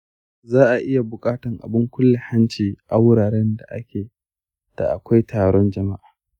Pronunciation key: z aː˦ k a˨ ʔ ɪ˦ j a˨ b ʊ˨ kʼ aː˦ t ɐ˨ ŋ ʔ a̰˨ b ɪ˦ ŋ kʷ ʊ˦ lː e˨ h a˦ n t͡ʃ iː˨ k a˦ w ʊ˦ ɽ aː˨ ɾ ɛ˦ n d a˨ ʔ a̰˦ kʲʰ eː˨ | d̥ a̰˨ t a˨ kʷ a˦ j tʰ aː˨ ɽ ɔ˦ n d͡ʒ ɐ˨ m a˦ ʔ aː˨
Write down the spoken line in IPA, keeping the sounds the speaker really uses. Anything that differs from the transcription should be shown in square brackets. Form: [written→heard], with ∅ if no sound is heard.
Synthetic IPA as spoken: z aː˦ [k→ʔ] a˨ ʔ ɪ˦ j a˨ b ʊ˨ kʼ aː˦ t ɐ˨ ŋ ʔ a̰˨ b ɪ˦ ŋ kʷ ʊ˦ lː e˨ h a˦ n t͡ʃ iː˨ [k→ʔ] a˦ w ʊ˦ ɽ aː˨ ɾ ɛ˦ n d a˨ ʔ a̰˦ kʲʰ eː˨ | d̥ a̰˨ [t→ʔ] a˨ kʷ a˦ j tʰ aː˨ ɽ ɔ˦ n d͡ʒ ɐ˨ m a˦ ʔ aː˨